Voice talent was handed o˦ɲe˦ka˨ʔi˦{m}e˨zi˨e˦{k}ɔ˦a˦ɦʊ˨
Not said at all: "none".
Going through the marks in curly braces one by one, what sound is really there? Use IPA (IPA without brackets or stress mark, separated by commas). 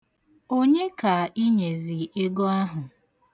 ɲ, ɡ